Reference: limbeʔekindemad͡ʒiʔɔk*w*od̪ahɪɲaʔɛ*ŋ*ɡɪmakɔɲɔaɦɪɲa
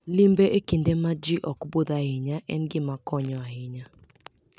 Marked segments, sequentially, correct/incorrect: incorrect: b, incorrect: n

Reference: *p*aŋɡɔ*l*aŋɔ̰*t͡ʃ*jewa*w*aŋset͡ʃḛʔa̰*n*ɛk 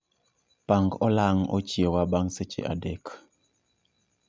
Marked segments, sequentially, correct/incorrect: correct, correct, correct, incorrect: b, incorrect: d

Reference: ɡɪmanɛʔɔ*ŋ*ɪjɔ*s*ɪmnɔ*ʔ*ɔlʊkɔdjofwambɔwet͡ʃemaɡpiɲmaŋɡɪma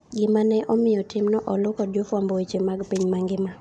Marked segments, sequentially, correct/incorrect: incorrect: m, incorrect: t, correct

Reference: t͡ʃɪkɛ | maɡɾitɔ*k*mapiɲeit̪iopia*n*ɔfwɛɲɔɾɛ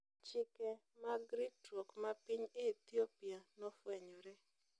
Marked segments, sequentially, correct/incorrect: correct, correct

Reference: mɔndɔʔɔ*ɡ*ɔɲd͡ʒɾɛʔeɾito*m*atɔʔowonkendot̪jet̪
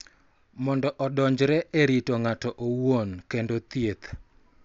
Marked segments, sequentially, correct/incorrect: incorrect: d, incorrect: ŋ

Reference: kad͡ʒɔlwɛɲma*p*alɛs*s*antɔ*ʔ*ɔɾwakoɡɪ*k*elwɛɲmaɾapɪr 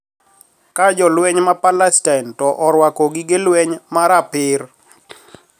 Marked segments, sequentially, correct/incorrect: correct, incorrect: t, correct, incorrect: ɡ

